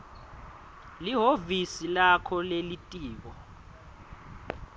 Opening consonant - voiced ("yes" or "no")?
yes